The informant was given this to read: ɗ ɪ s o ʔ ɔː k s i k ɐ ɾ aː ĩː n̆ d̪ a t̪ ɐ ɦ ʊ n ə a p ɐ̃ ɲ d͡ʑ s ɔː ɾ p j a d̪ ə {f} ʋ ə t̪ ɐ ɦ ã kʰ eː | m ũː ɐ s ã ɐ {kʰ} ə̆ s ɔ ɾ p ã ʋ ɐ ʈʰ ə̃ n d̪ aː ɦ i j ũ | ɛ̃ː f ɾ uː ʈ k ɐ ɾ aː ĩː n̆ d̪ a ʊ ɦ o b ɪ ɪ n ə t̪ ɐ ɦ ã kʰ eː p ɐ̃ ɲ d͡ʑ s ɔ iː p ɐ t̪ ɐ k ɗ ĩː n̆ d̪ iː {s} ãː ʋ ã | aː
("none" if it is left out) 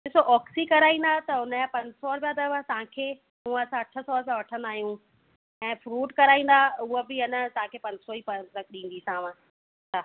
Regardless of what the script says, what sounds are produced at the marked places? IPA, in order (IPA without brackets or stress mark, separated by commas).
none, ʈʰ, s